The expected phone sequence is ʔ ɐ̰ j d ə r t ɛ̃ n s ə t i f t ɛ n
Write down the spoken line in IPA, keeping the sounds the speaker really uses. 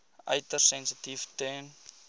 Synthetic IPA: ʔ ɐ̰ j t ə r s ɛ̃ n s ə t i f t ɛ n